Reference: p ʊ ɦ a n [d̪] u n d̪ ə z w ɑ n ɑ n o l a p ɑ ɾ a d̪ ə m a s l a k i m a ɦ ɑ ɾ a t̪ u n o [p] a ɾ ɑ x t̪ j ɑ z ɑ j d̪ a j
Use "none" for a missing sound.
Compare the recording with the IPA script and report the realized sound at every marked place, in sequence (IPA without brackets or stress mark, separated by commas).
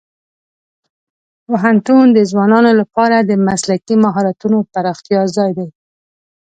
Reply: t̪, p